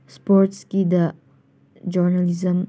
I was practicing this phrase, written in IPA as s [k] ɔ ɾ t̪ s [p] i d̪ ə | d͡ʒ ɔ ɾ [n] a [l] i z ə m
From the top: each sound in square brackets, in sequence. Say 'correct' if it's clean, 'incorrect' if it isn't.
incorrect, incorrect, correct, correct

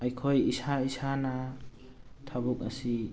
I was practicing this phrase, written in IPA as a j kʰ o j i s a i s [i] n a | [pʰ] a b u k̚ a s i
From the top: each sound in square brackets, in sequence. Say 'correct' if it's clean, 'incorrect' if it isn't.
incorrect, incorrect

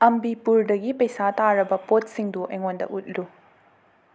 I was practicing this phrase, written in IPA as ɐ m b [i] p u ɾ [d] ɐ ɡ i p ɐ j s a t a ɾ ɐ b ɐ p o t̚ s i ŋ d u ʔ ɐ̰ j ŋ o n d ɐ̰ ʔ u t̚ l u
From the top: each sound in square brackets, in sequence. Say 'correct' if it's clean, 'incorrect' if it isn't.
correct, correct

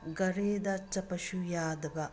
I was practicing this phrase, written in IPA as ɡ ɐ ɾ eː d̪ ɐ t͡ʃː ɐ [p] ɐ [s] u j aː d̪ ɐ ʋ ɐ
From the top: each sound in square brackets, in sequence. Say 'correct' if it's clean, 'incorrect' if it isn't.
correct, incorrect

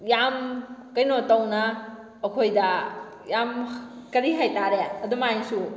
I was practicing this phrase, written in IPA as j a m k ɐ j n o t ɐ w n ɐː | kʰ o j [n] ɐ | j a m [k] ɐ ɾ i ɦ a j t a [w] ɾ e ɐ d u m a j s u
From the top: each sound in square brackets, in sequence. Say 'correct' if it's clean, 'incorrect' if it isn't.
incorrect, correct, incorrect

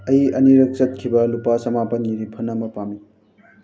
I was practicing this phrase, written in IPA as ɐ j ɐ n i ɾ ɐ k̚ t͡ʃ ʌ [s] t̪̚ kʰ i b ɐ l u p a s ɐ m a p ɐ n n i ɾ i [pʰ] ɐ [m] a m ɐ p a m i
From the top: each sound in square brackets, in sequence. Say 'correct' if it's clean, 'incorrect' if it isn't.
incorrect, correct, incorrect

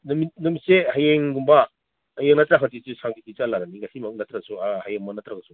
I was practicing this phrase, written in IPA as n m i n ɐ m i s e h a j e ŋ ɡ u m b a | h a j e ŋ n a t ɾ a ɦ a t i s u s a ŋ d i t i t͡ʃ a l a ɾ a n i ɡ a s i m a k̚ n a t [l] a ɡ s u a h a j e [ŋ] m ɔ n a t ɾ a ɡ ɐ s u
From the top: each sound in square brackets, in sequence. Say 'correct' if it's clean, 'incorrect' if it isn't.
incorrect, correct

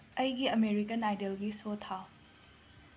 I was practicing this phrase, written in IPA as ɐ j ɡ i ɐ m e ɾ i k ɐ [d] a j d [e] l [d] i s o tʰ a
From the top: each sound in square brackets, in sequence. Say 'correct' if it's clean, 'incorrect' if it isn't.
incorrect, correct, incorrect

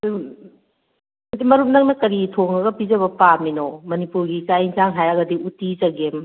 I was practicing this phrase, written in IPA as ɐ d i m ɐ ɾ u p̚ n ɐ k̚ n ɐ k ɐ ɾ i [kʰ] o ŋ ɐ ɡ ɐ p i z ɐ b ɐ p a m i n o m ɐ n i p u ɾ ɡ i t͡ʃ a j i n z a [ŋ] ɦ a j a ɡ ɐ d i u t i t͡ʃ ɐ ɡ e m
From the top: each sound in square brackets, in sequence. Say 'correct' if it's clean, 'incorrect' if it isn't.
incorrect, correct

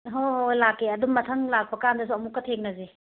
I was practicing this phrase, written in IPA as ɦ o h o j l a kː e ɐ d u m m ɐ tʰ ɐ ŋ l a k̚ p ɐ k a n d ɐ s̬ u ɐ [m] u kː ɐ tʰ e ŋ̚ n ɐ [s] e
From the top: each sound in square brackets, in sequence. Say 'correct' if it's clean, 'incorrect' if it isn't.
correct, incorrect

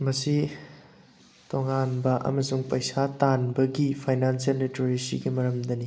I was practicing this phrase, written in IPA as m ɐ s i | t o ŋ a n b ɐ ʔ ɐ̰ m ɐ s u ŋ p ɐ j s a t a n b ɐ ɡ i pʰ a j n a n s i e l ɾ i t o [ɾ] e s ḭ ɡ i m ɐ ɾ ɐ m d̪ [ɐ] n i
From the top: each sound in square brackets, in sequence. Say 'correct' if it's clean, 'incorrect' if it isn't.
correct, correct

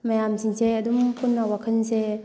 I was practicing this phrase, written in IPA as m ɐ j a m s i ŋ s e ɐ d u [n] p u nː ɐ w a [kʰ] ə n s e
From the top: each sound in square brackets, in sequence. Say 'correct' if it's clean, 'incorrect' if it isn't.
incorrect, correct

